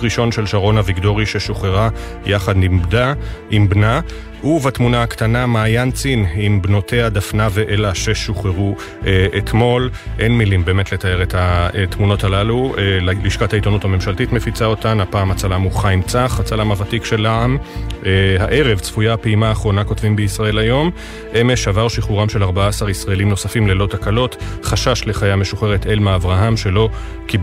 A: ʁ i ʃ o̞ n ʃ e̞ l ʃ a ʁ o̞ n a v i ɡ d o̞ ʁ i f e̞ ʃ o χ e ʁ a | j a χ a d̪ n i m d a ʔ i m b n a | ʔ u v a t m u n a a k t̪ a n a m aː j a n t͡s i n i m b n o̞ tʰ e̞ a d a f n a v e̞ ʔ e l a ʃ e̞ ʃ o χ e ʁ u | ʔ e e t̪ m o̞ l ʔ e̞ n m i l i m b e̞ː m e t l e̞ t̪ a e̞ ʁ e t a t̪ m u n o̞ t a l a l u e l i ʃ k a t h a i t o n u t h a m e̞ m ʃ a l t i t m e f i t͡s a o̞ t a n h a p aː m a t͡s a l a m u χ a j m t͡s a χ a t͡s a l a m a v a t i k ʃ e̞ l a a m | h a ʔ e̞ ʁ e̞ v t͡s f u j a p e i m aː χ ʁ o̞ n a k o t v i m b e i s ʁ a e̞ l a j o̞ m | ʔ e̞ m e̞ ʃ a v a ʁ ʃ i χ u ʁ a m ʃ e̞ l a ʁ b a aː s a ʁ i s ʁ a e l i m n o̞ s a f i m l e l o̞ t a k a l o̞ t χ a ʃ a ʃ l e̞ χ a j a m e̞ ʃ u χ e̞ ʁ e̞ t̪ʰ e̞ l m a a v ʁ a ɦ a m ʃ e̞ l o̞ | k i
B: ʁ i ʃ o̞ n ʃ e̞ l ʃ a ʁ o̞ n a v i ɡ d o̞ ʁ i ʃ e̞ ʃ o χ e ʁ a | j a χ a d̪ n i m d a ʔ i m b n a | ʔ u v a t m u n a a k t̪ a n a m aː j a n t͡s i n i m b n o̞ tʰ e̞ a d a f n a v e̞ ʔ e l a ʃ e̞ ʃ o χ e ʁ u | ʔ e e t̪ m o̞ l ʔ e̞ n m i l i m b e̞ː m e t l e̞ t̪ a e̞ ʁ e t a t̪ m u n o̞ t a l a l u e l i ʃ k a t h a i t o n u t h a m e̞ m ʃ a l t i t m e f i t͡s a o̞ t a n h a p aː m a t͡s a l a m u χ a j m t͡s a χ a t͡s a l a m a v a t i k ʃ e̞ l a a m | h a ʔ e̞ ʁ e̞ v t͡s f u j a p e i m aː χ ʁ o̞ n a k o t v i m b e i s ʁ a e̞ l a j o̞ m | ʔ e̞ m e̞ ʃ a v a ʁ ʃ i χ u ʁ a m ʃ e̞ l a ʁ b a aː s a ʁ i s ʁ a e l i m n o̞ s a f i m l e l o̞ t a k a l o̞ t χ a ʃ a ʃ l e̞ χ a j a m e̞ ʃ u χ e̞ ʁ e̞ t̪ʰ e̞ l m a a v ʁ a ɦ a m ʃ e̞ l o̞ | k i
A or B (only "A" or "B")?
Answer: B